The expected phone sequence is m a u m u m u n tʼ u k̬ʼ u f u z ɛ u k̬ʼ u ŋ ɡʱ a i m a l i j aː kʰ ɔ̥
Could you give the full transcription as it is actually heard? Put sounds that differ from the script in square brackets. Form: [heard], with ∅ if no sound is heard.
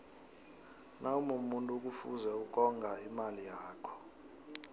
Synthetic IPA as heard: [n] a u m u m u n tʼ u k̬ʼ u f u z ɛ u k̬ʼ [ɔ] ŋ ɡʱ a i m a l i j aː kʰ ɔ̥